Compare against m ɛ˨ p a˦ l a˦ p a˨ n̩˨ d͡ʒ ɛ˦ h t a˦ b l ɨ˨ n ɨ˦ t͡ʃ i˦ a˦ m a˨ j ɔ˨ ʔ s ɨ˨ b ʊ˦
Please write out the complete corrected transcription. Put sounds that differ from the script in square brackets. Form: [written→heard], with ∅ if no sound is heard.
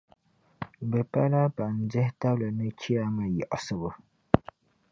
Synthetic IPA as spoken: [m→b] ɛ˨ p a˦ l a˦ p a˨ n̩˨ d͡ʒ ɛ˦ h t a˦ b l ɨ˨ n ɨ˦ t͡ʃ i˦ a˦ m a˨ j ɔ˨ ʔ s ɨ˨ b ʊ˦